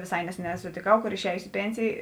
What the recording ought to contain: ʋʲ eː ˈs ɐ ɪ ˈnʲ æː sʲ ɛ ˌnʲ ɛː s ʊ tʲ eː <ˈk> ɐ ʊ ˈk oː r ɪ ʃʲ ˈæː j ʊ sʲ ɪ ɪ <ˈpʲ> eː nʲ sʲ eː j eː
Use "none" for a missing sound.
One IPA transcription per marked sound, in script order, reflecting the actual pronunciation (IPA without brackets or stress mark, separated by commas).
k, pʲ